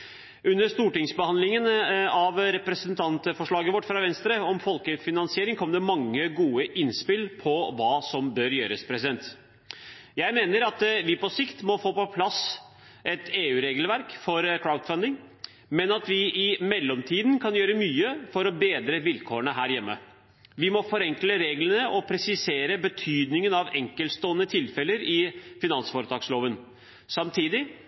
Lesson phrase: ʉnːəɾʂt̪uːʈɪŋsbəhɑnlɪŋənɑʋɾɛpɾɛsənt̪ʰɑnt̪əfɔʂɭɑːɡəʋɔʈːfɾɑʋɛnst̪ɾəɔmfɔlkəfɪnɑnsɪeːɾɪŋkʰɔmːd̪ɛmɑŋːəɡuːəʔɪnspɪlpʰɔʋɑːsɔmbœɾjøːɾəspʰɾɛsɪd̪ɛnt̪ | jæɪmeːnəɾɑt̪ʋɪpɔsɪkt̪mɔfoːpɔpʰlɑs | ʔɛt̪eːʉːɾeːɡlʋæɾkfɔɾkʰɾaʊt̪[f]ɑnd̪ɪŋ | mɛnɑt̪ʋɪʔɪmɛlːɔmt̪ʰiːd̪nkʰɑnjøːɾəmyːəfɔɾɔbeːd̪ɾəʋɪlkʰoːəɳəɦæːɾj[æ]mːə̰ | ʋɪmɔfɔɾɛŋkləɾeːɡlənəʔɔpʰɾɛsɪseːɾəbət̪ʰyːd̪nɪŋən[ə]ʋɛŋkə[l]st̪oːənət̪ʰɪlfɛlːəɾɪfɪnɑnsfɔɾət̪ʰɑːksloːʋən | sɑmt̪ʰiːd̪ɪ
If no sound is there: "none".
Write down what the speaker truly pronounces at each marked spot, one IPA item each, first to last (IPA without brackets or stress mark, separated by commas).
f, ɛ, ɑ, l